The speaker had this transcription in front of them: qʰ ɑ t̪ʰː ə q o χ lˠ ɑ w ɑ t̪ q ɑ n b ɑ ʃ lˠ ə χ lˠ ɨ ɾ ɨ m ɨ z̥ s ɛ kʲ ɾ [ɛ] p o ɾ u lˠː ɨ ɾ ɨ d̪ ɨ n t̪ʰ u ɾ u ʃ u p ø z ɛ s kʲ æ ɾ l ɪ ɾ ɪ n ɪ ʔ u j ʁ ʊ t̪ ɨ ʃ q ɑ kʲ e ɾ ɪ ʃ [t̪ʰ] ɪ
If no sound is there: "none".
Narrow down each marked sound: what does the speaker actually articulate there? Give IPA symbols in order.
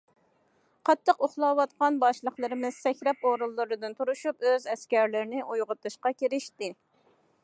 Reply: ɛ, t̪

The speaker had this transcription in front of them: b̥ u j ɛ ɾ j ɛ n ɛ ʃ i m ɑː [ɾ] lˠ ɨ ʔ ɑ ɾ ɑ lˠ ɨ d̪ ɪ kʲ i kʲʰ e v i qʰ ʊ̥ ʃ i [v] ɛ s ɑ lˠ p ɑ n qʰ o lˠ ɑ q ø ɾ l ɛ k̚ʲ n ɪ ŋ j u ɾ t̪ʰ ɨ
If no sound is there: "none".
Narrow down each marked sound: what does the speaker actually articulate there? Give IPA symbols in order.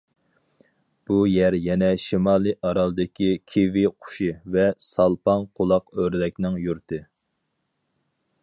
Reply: none, v

